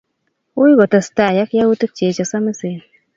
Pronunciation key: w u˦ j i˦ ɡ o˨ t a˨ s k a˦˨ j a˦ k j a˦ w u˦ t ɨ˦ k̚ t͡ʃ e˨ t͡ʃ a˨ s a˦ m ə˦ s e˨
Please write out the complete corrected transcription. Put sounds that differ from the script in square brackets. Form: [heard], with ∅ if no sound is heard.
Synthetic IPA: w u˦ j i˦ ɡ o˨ t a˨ s [t] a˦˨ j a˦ k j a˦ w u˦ t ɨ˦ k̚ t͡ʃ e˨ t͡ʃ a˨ s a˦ m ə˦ s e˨